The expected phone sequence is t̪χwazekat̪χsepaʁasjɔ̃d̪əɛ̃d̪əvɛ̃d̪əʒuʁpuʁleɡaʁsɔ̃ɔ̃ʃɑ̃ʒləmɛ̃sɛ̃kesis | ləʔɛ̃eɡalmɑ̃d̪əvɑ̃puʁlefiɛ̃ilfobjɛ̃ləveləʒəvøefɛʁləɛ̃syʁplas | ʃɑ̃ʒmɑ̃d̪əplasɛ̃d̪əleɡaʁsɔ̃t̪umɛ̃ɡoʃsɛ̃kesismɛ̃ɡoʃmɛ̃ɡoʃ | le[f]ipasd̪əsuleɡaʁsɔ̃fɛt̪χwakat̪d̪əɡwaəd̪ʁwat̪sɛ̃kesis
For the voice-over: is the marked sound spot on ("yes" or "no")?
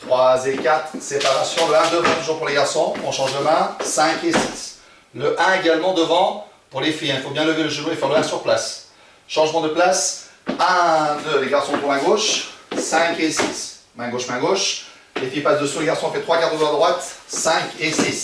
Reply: yes